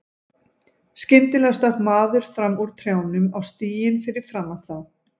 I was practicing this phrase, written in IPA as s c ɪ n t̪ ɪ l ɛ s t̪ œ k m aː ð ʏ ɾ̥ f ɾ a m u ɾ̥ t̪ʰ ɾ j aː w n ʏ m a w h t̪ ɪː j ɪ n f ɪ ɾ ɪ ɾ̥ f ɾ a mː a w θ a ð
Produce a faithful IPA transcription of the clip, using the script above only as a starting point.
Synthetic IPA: s c ɪ n t̪ ɪ l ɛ s t̪ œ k m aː ð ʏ ɾ̥ f ɾ a m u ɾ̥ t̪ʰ ɾ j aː w n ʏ m a w s t̪ iː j ɪ n f ɪ ɾ ɪ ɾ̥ f ɾ a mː a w θ a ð